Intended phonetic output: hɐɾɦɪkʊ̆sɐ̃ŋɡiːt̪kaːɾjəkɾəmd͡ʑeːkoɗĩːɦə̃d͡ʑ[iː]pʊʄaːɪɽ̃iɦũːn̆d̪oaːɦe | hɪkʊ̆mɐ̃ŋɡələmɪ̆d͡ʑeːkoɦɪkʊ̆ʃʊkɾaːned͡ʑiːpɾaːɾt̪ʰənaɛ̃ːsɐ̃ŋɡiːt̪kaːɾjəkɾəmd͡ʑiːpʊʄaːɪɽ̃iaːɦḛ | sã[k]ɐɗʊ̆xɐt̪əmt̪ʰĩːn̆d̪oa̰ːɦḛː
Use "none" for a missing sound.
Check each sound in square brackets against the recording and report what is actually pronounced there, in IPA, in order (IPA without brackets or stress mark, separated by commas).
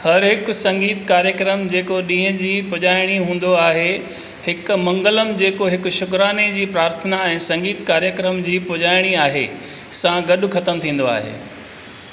iː, ɡ